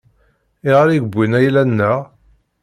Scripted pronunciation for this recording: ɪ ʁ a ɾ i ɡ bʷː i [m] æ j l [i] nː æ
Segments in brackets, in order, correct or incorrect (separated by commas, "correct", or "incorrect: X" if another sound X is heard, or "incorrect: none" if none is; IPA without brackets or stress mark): incorrect: n, incorrect: æ